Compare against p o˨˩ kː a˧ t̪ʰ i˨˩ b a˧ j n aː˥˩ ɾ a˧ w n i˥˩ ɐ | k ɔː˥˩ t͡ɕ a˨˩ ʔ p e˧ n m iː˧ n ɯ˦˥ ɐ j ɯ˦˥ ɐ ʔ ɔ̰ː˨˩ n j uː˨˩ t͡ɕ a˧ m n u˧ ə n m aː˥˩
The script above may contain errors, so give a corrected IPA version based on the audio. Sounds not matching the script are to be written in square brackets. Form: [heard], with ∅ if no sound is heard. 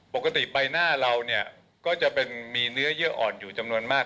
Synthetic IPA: p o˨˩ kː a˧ [t̪] i˨˩ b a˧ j n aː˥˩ ɾ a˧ w n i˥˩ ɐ | k ɔː˥˩ t͡ɕ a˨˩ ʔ p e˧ n m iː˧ n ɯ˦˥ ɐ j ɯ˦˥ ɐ ʔ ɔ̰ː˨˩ n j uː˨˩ t͡ɕ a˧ m n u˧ ə n m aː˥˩